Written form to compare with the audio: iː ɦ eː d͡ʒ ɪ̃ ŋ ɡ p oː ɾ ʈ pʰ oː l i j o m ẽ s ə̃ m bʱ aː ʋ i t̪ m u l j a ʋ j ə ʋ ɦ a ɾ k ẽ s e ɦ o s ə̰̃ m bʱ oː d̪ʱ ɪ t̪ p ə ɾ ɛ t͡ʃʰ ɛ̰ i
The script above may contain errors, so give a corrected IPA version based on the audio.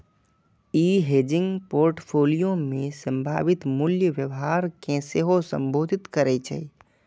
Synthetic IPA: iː ɦ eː d͡ʒ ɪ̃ ŋ ɡ p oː ɾ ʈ pʰ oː l i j o m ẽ s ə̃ m bʱ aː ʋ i t̪ m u l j ə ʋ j ə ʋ ɦ a ɾ k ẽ s e ɦ o s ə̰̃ m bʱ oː d̪ʱ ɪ t̪ k ə ɾ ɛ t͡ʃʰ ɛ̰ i